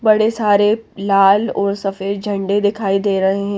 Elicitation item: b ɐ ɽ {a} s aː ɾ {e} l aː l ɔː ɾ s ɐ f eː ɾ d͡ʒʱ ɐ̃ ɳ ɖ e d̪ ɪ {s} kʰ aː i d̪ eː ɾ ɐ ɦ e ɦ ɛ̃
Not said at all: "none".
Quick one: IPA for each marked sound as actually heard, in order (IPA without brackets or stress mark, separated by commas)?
e, e, none